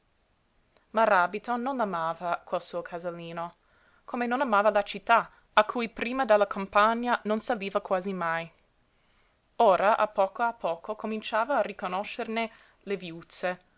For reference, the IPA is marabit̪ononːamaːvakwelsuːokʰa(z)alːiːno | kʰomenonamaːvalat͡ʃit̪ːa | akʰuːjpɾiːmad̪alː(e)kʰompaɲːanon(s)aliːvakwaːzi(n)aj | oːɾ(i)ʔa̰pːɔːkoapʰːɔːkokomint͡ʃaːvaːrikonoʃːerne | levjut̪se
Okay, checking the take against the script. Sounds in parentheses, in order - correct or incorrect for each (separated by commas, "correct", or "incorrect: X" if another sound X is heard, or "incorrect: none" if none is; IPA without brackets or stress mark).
correct, incorrect: a, correct, incorrect: m, incorrect: a